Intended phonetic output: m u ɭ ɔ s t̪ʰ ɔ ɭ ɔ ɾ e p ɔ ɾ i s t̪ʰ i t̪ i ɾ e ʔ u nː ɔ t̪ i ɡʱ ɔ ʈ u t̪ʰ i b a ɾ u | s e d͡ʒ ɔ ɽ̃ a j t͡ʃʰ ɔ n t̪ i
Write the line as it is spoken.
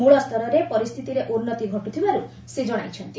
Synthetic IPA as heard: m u ɭ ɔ s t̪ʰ ɔ ɾ ɔ ɾ e p ɔ ɾ i s t̪ʰ i t̪ i ɾ e ʔ u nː ɔ t̪ i ɡʱ ɔ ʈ u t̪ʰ i b a ɾ u | s e d͡ʒ ɔ ɽ̃ a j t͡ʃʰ ɔ n t̪ i

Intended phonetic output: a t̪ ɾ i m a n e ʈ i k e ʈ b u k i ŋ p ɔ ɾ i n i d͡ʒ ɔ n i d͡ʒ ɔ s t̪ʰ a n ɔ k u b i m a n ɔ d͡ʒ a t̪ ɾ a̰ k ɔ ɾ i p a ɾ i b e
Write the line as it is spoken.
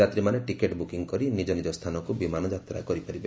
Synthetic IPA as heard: a t̪ ɾ i m a n e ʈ i k e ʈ b u k i ŋ k ɔ ɾ i n i d͡ʒ ɔ n i d͡ʒ ɔ s t̪ʰ a n ɔ k u b i m a n ɔ d͡ʒ a t̪ ɾ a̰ k ɔ ɾ i p a ɾ i b e

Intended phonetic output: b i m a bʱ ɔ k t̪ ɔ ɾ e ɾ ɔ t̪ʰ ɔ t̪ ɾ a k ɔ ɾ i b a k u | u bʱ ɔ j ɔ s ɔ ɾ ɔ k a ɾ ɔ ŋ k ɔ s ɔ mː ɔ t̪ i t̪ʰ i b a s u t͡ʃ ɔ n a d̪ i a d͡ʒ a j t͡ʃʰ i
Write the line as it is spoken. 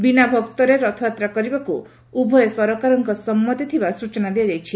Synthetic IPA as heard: b i n a bʱ ɔ k t̪ ɔ ɾ e ɾ ɔ t̪ʰ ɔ t̪ ɾ a k ɔ ɾ i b a k u | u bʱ ɔ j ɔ s ɔ ɾ ɔ k a ɾ ɔ ŋ k ɔ s ɔ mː ɔ t̪ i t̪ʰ i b a s u t͡ʃ ɔ n a d̪ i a d͡ʒ a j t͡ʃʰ i

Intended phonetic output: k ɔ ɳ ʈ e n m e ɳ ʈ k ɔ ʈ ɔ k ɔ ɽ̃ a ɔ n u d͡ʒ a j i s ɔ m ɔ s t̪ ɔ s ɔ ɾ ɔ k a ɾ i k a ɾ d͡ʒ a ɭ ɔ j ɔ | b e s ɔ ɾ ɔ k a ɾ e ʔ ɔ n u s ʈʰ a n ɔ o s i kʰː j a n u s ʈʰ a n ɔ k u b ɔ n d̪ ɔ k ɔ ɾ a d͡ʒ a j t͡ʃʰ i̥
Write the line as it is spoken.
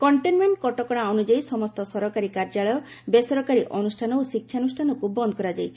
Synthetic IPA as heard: k ɔ ɳ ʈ e n m e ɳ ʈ k ɔ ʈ ɔ k ɔ ɽ̃ a ɔ n u d͡ʒ a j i s ɔ m ɔ s t̪ ɔ s ɔ ɾ ɔ k a ɾ i k a ɾ d͡ʒ a ɭ ɔ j ɔ | b e s ɔ ɾ ɔ k a ɾ i ʔ ɔ n u s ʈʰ a n ɔ o s i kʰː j a n u s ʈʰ a n ɔ k u b ɔ n d̪ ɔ k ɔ ɾ a d͡ʒ a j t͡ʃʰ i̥

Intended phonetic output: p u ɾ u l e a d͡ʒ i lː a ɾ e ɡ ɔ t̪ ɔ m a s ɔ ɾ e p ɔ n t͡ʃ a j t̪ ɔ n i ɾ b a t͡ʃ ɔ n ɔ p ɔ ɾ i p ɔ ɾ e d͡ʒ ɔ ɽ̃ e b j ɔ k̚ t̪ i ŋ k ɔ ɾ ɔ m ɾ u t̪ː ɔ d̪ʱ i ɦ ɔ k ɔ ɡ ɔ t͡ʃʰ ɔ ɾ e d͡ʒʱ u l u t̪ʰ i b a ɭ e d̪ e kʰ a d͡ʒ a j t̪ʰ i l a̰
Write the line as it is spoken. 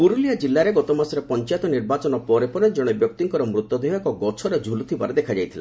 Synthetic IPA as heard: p u ɾ u l i a d͡ʒ i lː a ɾ e ɡ ɔ t̪ ɔ m a s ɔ ɾ e p ɔ n t͡ʃ a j t̪ ɔ n i ɾ b a t͡ʃ ɔ n ɔ p ɔ ɾ e p ɔ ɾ e d͡ʒ ɔ ɽ̃ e b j ɔ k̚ t̪ i ŋ k ɔ ɾ ɔ m ɾ u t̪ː ɔ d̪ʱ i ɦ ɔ k ɔ ɡ ɔ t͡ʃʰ ɔ ɾ e d͡ʒʱ u l u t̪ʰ i b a ɾ e d̪ e kʰ a d͡ʒ a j t̪ʰ i l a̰

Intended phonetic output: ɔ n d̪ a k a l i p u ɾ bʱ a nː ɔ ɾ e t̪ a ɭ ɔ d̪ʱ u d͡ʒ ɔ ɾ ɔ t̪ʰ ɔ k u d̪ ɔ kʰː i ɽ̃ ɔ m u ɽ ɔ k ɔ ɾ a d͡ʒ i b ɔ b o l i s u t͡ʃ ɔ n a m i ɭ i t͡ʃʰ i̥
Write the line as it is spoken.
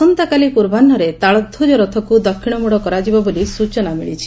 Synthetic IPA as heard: ɔ n t̪ a k a l i p u ɾ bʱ a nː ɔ ɾ e t̪ a ɭ ɔ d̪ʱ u d͡ʒ ɔ ɾ ɔ t̪ʰ ɔ k u d̪ ɔ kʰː i ɽ̃ ɔ m u ɽ ɔ k ɔ ɾ a d͡ʒ i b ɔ b o l i s u t͡ʃ ɔ n a m i ɭ i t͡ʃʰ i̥

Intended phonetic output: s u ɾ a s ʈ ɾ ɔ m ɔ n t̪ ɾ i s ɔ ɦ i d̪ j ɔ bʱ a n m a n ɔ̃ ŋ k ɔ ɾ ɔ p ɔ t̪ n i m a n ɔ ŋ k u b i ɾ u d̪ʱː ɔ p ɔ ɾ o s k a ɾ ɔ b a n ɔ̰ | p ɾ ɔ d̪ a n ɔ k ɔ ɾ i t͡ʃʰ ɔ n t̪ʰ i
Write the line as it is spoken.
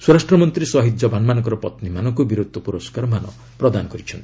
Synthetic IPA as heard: s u ɾ a s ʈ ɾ ɔ m ɔ n t̪ ɾ i s ɔ ɦ i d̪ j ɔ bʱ a n m a n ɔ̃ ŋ k ɔ ɾ ɔ p ɔ t̪ n i m a n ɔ ŋ k u b i ɾ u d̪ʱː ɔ p u ɾ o s k a ɾ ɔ m a n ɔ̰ | p ɾ ɔ d̪ a n ɔ k ɔ ɾ i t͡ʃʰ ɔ n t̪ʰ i

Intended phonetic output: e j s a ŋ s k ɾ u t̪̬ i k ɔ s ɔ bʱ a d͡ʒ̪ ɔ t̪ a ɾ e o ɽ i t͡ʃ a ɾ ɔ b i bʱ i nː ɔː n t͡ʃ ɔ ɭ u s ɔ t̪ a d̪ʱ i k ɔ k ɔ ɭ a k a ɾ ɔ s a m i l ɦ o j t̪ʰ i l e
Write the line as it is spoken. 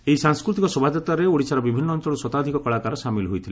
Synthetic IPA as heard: e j s a ŋ s k ɾ u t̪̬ i k ɔ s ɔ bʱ a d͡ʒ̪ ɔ t̪ a ɾ e o ɽ i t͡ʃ a ɾ ɔ b i bʱ i nː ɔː n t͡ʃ ɔ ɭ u s ɔ t̪ a d̪ʱ i k ɔ k ɔ ɭ a k a ɾ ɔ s a m i l ɦ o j t̪ʰ i l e

